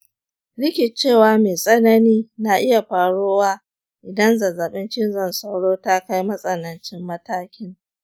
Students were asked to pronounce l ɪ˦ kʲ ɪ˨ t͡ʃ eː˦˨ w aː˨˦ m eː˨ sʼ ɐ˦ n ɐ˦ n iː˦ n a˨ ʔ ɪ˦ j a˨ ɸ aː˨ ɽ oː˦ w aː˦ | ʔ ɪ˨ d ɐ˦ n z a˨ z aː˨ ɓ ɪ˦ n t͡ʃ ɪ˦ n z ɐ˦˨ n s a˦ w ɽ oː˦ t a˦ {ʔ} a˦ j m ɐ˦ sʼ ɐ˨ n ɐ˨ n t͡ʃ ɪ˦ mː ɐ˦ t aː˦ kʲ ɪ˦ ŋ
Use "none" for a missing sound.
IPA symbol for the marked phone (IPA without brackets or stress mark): k